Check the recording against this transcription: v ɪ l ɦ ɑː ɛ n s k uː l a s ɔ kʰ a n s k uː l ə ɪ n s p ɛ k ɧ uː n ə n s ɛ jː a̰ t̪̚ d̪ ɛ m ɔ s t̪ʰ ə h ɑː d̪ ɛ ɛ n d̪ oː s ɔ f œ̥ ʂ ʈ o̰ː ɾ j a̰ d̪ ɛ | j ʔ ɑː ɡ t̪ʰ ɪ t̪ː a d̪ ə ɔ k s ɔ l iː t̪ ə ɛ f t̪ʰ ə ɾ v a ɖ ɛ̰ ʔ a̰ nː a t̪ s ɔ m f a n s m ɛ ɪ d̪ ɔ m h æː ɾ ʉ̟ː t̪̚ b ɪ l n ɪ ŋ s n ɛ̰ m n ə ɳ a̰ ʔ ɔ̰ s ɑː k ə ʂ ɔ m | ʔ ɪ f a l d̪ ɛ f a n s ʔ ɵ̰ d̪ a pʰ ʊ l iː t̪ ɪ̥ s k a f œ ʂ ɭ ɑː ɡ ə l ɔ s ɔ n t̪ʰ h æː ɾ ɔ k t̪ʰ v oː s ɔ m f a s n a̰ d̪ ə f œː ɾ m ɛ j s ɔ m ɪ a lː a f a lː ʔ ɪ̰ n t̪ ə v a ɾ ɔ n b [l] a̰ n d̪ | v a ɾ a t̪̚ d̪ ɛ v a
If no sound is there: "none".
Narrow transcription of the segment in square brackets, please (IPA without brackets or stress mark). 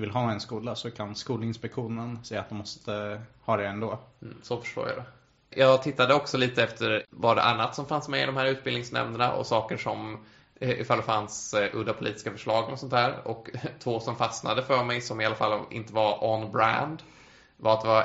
ɾ